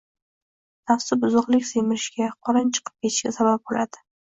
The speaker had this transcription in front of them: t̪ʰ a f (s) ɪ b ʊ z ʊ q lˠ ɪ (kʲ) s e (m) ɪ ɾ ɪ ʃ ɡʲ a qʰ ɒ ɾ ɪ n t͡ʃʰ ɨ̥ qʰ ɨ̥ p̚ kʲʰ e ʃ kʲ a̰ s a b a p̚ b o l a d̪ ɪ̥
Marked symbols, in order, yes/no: yes, yes, yes

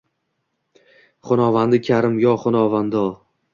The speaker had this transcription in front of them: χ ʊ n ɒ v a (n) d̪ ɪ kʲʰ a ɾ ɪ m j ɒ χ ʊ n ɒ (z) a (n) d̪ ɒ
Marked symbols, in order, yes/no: yes, no, yes

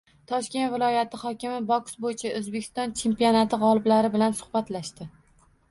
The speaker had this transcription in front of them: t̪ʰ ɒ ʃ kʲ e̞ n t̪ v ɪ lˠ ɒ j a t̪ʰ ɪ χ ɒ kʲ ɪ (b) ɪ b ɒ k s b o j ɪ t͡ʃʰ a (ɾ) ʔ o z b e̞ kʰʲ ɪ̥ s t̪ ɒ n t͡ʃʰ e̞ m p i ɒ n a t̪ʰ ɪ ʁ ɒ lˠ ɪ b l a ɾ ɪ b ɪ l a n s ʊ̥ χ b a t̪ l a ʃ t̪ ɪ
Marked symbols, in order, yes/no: no, no

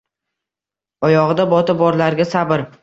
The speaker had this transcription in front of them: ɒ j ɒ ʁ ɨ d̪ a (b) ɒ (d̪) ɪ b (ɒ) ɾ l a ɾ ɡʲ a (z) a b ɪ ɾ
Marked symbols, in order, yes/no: yes, no, yes, no

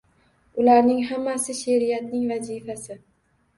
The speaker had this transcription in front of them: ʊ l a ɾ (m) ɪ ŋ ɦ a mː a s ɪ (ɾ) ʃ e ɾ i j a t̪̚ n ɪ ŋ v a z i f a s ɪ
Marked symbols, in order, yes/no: no, no

